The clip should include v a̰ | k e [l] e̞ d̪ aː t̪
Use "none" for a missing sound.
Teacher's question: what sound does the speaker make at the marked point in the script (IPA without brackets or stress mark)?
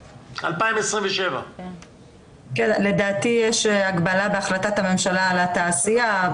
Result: l